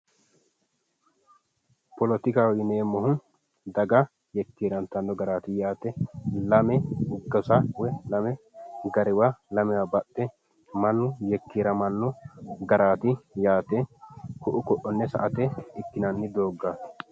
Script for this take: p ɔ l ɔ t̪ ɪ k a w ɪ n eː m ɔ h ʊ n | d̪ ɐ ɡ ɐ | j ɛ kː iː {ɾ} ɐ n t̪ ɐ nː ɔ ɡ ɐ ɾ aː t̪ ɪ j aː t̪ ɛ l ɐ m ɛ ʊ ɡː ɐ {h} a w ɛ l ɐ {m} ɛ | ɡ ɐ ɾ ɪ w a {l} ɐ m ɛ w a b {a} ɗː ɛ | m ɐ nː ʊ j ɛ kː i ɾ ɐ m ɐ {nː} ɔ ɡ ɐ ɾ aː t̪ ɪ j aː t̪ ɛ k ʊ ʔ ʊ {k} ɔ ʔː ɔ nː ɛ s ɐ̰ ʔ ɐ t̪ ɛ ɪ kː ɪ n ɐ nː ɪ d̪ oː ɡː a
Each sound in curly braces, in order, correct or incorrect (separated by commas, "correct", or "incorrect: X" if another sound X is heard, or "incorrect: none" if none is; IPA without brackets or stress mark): correct, incorrect: s, correct, correct, incorrect: ɐ, correct, correct